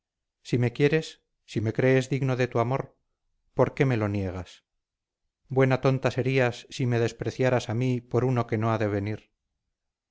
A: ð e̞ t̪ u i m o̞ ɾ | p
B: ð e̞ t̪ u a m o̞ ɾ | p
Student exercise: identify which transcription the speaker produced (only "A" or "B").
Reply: B